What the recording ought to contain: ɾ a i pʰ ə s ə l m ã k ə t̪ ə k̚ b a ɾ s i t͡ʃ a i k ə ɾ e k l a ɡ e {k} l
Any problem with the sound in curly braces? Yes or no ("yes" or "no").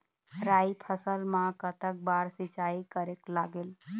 yes